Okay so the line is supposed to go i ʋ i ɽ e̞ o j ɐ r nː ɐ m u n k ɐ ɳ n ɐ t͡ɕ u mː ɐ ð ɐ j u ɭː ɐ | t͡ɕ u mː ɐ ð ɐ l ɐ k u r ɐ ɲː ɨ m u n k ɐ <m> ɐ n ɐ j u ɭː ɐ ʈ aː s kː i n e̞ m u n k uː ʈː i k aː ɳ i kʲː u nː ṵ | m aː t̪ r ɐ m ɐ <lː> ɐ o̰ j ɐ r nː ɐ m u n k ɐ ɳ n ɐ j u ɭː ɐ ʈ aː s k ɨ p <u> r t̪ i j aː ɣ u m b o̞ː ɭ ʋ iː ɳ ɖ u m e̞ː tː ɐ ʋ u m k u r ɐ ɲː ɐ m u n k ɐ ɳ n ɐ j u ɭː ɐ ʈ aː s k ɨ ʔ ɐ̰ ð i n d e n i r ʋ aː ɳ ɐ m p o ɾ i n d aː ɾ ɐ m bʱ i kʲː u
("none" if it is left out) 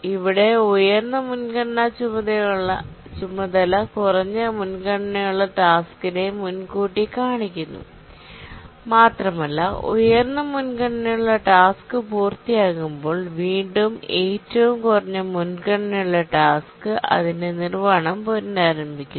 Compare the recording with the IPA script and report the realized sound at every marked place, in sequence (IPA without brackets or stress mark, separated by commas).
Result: ɳ, lː, uː